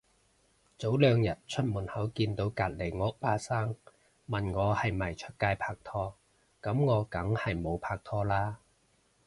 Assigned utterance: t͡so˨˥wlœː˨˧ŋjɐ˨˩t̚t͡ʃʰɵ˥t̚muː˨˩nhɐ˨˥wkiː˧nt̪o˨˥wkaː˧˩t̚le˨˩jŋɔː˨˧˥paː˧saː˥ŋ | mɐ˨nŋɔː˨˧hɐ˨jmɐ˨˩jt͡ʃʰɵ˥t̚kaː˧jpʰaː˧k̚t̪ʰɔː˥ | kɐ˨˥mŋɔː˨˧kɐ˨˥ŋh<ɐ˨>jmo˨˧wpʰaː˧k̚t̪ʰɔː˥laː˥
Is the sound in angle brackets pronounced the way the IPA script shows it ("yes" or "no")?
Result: yes